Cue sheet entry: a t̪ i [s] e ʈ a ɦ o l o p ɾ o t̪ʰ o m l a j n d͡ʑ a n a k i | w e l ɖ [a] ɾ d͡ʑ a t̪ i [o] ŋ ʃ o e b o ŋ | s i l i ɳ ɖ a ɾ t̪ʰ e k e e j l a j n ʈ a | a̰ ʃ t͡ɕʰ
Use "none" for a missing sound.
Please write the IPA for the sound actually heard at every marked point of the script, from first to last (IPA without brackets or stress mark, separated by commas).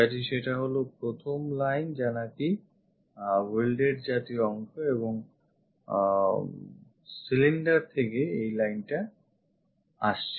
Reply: ʃ, e, ɔ